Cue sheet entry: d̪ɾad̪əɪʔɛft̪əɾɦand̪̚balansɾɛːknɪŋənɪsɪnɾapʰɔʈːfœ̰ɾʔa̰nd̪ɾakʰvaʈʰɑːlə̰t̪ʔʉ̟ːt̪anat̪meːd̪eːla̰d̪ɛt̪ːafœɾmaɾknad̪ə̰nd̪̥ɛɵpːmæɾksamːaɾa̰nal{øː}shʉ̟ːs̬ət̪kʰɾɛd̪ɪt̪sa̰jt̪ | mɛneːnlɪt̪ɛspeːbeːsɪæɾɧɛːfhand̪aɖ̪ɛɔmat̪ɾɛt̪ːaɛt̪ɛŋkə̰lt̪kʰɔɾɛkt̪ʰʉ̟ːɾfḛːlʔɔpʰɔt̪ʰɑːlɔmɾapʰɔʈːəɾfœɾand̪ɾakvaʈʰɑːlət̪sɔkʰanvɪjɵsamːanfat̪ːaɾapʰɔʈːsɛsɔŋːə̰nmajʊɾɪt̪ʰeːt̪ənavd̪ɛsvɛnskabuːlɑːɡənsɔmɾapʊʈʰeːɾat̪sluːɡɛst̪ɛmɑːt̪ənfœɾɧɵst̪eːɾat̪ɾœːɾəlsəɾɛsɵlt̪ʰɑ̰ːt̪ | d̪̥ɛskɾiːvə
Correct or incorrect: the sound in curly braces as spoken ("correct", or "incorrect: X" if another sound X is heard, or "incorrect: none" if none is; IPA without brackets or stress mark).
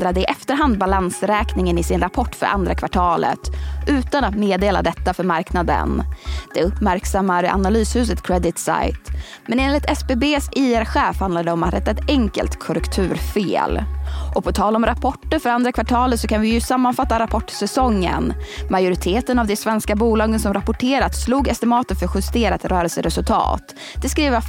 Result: incorrect: yː